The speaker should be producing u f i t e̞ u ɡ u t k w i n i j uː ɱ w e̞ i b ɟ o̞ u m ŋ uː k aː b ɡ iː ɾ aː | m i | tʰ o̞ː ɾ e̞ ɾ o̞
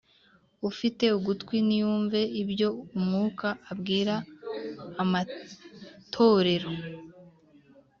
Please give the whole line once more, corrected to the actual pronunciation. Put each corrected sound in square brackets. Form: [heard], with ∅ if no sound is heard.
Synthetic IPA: u f i t e̞ u ɡ u t k w i n i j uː ɱ [v] e̞ i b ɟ o̞ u m ŋ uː k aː b ɡ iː ɾ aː | m [a] | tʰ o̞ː ɾ e̞ ɾ o̞

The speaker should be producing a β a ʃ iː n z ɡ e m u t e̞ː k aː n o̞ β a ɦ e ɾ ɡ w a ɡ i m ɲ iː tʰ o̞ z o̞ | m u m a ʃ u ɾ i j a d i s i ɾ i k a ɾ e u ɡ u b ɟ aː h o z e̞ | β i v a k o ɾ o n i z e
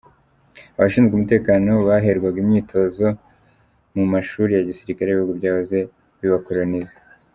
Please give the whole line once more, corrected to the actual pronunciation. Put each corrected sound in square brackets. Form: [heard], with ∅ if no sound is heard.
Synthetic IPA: a β a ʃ iː n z ɡ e m u t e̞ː k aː n o̞ β a ɦ e ɾ ɡ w a ɡ i m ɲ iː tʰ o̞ z o̞ | m u m a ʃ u ɾ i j a [ɟ] i s i ɾ i k a ɾ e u ɡ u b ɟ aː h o z e̞ | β i [β] a k o ɾ o n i z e

